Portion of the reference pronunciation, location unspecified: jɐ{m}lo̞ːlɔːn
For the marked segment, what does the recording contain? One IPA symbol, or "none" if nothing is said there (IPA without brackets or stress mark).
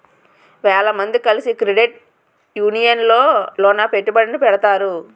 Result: n